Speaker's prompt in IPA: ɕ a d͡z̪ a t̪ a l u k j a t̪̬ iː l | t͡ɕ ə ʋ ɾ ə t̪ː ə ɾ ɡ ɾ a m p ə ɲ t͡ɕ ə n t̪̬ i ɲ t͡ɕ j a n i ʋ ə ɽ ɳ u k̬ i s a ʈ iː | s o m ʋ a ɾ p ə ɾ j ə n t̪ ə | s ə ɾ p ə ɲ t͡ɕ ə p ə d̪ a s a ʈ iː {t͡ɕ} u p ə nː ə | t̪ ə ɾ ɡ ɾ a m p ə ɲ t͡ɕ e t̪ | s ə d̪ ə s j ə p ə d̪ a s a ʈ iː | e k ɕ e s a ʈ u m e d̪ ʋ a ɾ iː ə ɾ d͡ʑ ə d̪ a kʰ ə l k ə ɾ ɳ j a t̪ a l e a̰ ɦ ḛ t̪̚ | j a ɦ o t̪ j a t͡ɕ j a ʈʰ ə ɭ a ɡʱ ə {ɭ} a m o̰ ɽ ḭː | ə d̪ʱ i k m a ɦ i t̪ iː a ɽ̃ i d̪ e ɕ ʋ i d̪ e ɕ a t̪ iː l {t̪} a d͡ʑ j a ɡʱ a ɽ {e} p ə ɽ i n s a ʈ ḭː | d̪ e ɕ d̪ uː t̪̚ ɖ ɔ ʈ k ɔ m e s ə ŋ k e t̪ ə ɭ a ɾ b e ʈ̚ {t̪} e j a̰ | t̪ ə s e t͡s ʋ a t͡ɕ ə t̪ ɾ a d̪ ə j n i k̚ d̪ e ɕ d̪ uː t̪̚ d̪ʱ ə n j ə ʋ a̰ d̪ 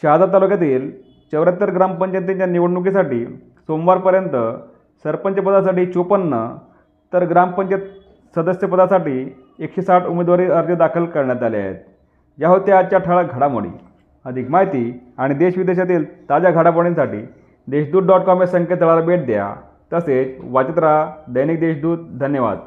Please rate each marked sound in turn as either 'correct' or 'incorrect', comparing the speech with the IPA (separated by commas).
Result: correct, incorrect, correct, incorrect, incorrect